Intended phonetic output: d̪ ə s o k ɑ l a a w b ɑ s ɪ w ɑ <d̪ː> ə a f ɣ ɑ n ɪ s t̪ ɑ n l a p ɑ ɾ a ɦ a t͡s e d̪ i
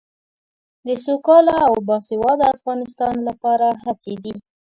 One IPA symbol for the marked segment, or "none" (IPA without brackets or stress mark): d̪